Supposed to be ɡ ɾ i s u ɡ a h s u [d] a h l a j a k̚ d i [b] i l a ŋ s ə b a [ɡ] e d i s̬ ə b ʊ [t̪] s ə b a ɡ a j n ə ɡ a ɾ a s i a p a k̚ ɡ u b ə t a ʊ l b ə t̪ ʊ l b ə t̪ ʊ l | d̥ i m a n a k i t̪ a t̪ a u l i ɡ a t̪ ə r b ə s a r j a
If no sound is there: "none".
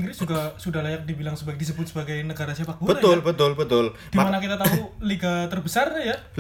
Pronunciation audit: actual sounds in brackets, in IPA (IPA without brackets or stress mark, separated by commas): d, b, ɡ, t̪